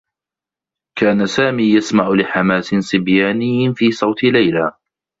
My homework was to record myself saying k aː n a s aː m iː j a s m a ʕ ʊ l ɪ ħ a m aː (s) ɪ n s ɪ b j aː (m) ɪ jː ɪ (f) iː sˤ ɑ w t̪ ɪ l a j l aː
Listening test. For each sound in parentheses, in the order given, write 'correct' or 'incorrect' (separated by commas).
correct, incorrect, correct